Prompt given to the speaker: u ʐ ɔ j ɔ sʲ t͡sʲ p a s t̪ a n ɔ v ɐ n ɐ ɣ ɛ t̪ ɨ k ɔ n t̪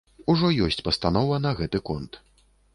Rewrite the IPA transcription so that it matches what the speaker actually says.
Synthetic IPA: u ʐ ɔ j ɔ sʲ t͡sʲ p ɐ s t̪ a n ɔ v ɐ n ɐ ɣ ɛ t̪ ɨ k ɔ n t̪